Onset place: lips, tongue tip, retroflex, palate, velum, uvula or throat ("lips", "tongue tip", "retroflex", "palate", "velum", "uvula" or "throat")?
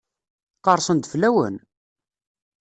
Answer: uvula